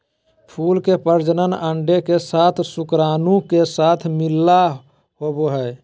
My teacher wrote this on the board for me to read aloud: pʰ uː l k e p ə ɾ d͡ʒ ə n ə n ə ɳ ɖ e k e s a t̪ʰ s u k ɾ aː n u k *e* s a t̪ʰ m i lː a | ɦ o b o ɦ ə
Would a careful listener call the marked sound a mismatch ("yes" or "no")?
no